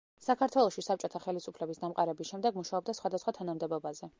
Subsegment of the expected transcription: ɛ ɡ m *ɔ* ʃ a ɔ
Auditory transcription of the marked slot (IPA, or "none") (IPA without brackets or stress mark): u